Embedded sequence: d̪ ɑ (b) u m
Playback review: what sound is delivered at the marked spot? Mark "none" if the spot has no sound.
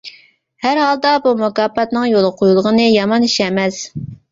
b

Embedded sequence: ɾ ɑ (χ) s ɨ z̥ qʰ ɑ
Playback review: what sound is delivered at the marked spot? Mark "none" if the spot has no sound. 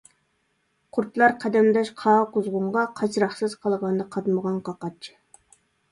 χ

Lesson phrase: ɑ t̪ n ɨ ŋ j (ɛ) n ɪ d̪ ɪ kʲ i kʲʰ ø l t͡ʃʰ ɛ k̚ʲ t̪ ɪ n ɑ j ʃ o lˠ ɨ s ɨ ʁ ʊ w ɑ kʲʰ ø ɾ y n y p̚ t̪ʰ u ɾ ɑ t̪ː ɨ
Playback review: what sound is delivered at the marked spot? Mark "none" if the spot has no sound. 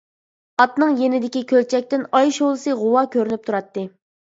e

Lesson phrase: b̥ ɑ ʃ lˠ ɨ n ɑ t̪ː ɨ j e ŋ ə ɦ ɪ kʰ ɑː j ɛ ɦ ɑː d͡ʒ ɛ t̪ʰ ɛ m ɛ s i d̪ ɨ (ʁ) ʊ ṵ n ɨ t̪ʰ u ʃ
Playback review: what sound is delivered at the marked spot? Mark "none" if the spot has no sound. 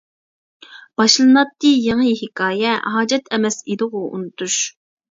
ʁ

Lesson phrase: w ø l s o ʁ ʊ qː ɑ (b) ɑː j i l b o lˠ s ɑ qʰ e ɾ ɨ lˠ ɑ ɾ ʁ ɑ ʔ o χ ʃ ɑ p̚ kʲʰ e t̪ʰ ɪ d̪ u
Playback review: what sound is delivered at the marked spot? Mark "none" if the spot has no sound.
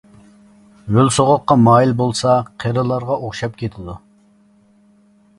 m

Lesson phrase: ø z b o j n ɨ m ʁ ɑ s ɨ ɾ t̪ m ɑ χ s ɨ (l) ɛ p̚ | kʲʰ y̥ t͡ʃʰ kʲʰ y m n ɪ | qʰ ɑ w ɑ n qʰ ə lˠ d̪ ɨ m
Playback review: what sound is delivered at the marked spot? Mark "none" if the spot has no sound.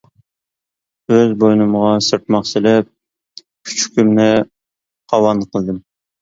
l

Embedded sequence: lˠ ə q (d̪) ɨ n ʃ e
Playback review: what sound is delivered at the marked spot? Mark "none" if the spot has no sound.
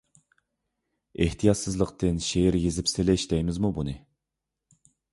t̪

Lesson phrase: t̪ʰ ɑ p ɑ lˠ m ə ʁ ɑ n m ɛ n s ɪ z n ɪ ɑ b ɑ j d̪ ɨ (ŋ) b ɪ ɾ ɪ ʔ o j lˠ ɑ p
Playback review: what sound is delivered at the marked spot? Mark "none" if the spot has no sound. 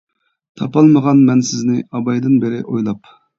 n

